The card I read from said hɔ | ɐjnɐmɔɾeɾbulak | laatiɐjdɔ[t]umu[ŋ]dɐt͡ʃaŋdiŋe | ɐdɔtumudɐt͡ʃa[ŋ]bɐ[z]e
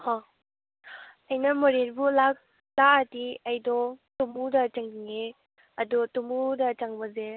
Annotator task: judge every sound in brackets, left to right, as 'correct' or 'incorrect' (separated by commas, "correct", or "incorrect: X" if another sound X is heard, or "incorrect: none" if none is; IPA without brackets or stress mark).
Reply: correct, incorrect: none, correct, correct